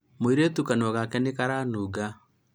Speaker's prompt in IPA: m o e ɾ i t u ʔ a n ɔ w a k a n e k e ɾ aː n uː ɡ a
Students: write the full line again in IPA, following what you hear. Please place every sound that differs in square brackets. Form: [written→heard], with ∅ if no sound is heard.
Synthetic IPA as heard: m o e ɾ [i→e] t u [ʔ→k] a n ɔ [w→ɣ] a k [a→ɛ] n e k [e→a] ɾ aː n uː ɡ a